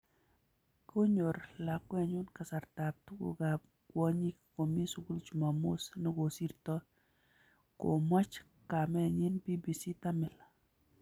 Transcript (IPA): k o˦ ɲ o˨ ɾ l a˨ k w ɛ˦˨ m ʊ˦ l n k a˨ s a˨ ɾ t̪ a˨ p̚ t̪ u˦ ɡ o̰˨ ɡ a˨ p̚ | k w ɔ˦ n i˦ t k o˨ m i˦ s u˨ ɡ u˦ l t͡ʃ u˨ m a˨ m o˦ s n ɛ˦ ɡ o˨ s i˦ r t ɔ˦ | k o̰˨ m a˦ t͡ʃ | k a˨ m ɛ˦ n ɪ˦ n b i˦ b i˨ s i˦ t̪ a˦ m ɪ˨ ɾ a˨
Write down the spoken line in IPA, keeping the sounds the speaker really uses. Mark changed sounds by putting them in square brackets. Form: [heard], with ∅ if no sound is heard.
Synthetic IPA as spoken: k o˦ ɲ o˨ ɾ l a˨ k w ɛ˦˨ [ɲ] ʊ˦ [∅] n k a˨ s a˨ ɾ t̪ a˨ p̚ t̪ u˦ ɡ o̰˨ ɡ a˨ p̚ | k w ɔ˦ [ɲ] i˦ [k] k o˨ m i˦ s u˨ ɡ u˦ l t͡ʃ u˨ m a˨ m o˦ s n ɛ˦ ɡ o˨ s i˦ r t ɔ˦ | k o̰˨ m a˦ t͡ʃ | k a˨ m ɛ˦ [ɲ] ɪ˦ n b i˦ b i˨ s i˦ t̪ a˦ m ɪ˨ [l] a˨